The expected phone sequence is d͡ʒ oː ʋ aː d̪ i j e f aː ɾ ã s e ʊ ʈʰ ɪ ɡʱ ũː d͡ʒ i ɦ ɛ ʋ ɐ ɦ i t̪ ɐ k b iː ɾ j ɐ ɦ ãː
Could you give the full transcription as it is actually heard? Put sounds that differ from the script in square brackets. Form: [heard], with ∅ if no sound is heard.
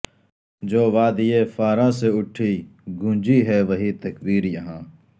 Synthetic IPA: d͡ʒ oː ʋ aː d̪ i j e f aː ɾ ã s e ʊ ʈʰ [i] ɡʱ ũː d͡ʒ i ɦ ɛ ʋ ɐ ɦ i t̪ ɐ k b iː ɾ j ɐ ɦ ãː